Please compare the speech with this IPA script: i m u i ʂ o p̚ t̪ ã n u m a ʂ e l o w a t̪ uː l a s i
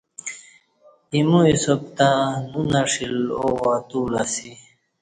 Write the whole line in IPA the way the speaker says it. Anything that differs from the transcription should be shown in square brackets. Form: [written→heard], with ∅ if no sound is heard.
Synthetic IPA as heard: i m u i [ʂ→s] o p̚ t̪ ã n u [m→n] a ʂ [e→i] l o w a t̪ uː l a s i